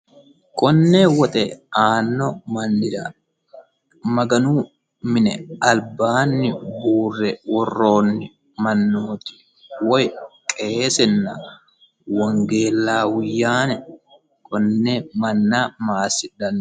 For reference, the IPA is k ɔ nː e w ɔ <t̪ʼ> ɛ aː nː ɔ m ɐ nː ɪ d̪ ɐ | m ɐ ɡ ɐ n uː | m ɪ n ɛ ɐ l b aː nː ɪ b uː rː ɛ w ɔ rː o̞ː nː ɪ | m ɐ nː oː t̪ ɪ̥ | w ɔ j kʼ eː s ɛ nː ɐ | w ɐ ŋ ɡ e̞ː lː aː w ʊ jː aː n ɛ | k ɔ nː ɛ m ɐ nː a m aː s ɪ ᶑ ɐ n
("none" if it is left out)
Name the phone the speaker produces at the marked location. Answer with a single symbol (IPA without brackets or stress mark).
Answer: t̪ʼ